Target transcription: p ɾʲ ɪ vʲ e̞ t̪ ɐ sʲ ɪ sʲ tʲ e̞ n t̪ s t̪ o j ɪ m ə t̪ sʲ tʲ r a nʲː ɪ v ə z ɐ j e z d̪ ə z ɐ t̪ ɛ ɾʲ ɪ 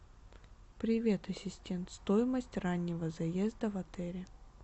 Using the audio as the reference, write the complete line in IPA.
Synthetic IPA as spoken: p ɾʲ ɪ vʲ e̞ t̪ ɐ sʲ ɪ sʲ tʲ e̞ n t̪ s t̪ o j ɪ m ə sʲ tʲ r a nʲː ɪ v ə z ɐ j e z d̪ ə v ɐ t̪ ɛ ɾʲ ɪ